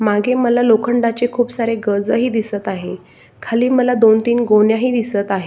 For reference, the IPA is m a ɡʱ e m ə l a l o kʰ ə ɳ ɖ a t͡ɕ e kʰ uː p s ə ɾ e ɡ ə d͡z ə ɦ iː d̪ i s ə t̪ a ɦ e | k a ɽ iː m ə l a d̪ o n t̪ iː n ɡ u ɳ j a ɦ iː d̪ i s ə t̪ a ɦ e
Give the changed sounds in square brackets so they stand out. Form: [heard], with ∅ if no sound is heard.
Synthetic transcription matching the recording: m a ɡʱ e m ə l a l o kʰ ə ɳ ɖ a t͡ɕ e kʰ uː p s [a] ɾ e ɡ ə d͡z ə ɦ iː d̪ i s ə t̪ a ɦ e | [kʰ] a [l] iː m ə l a d̪ o n t̪ iː n ɡ [o] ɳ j a ɦ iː d̪ i s ə t̪ a ɦ e